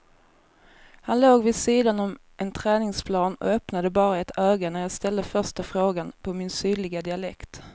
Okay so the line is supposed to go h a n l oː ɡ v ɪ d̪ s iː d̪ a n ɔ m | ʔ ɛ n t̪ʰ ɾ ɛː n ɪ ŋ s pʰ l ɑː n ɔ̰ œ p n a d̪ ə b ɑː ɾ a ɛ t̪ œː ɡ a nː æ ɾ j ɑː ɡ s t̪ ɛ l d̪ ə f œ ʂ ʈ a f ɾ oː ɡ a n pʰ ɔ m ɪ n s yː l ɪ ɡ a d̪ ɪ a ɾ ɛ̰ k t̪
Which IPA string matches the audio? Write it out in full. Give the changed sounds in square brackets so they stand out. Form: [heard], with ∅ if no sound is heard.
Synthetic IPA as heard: h a n l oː ɡ v ɪ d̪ s iː d̪ a n ɔ m | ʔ ɛ n t̪ʰ ɾ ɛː n ɪ ŋ s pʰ l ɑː n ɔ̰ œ p n a d̪ ə b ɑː ɾ a ɛ t̪ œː ɡ a [n] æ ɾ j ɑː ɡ s t̪ ɛ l d̪ ə f œ ʂ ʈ a f ɾ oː ɡ a n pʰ ɔ m ɪ n s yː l ɪ ɡ a d̪ ɪ a [l] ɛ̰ k t̪